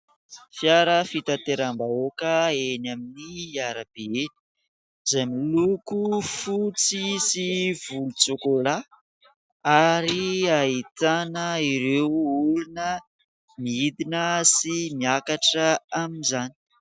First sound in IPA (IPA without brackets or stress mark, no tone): f